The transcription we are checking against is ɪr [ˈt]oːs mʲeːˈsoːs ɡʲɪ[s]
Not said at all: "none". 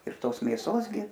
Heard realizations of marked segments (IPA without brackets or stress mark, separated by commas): t, none